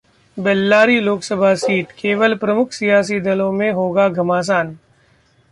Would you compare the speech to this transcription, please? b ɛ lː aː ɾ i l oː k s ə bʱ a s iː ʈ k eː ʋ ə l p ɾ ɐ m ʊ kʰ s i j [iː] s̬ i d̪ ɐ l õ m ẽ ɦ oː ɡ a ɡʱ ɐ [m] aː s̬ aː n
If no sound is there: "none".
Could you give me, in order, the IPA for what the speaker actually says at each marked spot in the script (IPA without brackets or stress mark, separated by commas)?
aː, m